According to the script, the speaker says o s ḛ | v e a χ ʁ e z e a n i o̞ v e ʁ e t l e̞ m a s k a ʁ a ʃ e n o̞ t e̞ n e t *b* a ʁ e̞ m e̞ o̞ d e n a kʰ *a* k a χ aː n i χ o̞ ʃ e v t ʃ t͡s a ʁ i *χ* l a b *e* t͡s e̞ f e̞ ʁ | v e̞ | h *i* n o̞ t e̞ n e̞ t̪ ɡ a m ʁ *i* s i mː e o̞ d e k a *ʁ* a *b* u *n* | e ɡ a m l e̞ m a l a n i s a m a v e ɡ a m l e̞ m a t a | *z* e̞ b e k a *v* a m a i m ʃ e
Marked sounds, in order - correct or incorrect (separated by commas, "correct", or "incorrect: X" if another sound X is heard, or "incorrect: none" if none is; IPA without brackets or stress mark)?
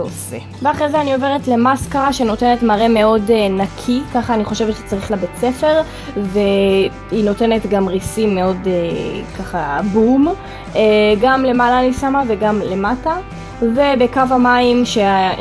incorrect: m, incorrect: i, correct, correct, correct, correct, incorrect: χ, correct, incorrect: m, incorrect: v, correct